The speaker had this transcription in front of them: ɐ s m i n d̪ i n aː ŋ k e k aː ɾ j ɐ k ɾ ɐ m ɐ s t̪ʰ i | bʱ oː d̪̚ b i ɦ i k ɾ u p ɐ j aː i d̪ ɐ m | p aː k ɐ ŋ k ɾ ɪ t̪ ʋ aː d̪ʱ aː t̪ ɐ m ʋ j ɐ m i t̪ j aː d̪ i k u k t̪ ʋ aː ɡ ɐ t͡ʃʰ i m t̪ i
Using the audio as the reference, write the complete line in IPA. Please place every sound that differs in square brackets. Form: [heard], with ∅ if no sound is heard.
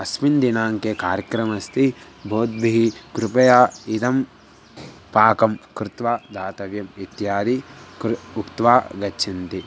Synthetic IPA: ɐ s m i n d̪ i n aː ŋ k e k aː ɾ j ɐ k ɾ ɐ m ɐ s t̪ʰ i | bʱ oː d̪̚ b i ɦ i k ɾ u p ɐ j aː i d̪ ɐ m | p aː k ɐ [m] k ɾ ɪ t̪ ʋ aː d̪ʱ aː t̪ ɐ [∅] ʋ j ɐ m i t̪ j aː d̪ i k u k t̪ ʋ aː ɡ ɐ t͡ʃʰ i [n] t̪ i